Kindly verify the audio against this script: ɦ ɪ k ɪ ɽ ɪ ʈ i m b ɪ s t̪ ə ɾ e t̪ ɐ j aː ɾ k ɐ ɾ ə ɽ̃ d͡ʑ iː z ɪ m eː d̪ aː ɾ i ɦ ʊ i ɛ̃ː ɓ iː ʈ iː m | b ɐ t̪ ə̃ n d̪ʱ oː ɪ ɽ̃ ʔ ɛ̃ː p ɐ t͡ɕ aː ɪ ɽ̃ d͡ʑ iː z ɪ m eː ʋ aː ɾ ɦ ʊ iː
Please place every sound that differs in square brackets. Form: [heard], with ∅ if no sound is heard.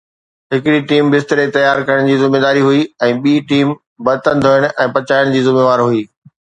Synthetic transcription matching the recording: ɦ ɪ k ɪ ɽ [i] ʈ [iː] m b ɪ s t̪ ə ɾ e t̪ ɐ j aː ɾ k ɐ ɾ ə ɽ̃ d͡ʑ iː z ɪ m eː d̪ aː ɾ i ɦ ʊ i ɛ̃ː ɓ iː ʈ iː m | b ɐ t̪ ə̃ n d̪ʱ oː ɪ ɽ̃ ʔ ɛ̃ː p ɐ t͡ɕ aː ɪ ɽ̃ d͡ʑ iː z ɪ m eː ʋ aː ɾ ɦ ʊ iː